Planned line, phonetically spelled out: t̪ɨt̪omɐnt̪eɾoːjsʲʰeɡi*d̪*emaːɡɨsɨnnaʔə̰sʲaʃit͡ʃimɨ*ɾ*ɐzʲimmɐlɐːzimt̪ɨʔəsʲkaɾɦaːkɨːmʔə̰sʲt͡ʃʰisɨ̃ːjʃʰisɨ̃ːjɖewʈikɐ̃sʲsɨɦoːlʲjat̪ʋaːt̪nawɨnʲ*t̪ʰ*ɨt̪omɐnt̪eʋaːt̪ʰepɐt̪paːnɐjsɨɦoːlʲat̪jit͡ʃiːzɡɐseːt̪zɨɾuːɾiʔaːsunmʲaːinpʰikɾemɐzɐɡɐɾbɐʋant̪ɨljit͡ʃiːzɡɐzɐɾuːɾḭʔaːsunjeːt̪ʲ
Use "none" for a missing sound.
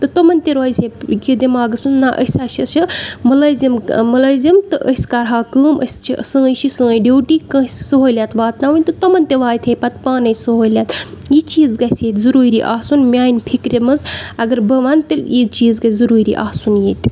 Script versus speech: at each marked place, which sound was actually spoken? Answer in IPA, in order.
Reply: d̪, l, t̪

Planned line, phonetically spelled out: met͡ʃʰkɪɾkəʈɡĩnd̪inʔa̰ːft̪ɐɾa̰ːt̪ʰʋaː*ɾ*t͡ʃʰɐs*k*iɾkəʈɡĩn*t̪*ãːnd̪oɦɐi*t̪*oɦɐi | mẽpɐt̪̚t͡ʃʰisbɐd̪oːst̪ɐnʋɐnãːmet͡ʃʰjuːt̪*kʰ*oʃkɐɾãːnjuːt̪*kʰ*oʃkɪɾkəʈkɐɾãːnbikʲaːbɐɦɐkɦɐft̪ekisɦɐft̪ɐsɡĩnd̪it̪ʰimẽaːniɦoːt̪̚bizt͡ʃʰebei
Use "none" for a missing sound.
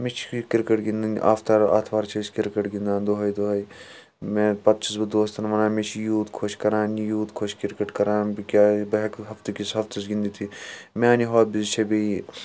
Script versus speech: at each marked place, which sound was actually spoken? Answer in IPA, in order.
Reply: ɾ, k, d̪, d̪, kʰ, kʰ

